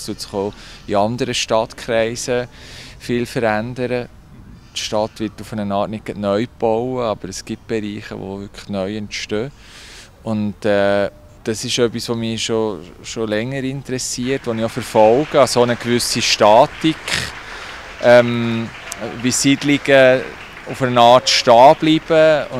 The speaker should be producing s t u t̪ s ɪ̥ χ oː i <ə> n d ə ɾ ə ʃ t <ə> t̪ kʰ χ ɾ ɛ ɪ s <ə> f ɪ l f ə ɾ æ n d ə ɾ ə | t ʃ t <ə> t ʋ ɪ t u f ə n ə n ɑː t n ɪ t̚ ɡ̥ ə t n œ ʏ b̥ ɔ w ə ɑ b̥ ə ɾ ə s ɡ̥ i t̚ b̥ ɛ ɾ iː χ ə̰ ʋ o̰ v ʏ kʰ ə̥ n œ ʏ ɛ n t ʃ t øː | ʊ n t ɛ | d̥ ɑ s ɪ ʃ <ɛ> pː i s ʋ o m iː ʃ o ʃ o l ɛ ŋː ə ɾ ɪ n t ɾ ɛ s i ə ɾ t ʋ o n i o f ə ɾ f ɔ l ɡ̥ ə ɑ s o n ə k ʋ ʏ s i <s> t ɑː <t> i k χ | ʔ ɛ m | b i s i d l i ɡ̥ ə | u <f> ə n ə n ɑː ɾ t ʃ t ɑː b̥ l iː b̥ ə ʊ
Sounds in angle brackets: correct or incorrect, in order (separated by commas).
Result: incorrect, incorrect, correct, incorrect, incorrect, incorrect, correct, correct